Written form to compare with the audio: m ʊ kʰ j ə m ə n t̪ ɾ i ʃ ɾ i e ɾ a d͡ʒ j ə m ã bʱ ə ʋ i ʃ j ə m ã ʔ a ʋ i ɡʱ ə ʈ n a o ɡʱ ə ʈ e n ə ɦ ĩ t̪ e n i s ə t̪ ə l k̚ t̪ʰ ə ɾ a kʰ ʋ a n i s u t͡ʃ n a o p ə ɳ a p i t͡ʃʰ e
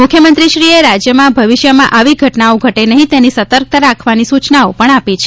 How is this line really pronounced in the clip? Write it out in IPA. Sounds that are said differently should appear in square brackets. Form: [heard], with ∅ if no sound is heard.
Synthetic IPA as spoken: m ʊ kʰ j ə m ə n t̪ ɾ i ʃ ɾ i e ɾ a d͡ʒ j ə m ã bʱ ə ʋ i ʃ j ə m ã ʔ a ʋ i ɡʱ ə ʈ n a o ɡʱ ə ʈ e n ə ɦ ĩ t̪ e n i s ə t̪ ə [ɾ] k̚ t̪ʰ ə ɾ a kʰ ʋ a n i s u t͡ʃ n a o p ə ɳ a p i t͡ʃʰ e